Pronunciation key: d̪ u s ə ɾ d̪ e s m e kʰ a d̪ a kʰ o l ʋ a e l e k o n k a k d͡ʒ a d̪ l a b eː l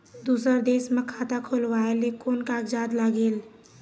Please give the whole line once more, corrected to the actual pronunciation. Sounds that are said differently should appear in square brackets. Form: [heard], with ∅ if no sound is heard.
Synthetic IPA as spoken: d̪ u s ə ɾ d̪ e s m e kʰ a [t̪] a kʰ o l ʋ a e l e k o n k a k d͡ʒ a d̪ l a [ɡ] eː l